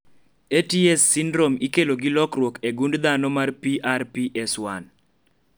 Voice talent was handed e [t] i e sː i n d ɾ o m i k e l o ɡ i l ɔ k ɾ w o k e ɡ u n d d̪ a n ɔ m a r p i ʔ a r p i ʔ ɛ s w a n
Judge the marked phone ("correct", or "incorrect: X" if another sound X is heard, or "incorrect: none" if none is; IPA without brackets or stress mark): correct